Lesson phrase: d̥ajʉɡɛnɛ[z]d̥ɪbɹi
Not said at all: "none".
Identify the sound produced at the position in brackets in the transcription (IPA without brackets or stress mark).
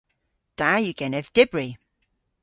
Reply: v